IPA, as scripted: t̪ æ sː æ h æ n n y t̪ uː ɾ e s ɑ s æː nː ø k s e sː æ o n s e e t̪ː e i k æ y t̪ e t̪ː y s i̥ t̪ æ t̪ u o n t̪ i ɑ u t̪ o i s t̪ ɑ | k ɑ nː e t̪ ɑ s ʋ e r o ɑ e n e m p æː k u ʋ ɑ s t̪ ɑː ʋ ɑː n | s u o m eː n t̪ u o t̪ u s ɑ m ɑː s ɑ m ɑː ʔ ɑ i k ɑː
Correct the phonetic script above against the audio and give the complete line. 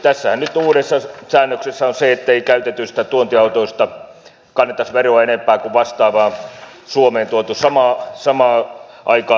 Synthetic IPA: t̪ æ sː æ h æ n n y t̪ uː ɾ e sː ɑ s æː nː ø k s e sː æ o n s e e t̪ː e i k æ y t̪ e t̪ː y s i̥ t̪ æ t̪ u o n t̪ i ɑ u t̪ o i s t̪ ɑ | k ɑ nː e t̪ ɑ s ʋ e r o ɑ e n e m p æː k u ʋ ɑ s t̪ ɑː ʋ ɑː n | s u o m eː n t̪ u o t̪ u s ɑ m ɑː s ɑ m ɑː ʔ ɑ i k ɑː